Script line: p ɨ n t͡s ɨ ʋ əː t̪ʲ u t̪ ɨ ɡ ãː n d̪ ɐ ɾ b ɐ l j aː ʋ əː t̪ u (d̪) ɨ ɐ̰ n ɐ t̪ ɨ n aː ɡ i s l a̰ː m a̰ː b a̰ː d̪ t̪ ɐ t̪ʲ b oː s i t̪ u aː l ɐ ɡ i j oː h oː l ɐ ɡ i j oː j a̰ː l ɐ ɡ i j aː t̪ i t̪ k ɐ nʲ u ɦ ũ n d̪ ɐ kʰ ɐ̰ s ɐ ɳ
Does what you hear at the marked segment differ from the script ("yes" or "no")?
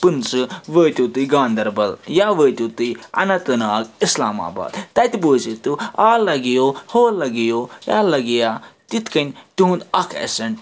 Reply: yes